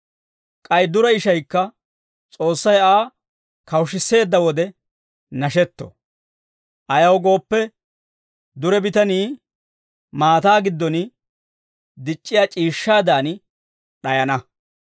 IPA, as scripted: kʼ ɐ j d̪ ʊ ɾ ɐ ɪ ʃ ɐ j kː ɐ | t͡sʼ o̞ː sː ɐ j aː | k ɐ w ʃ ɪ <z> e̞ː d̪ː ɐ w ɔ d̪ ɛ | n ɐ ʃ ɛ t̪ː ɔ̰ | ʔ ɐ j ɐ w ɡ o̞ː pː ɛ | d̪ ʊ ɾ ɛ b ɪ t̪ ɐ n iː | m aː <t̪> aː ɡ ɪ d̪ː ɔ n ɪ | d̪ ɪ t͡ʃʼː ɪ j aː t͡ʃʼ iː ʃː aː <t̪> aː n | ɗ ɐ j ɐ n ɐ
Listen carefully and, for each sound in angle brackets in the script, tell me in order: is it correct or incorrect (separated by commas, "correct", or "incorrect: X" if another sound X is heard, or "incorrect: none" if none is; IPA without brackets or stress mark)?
incorrect: s, correct, incorrect: d̪